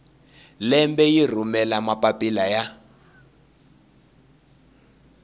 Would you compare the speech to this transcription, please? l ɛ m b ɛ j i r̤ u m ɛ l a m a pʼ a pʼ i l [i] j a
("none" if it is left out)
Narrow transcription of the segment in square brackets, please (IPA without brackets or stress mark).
a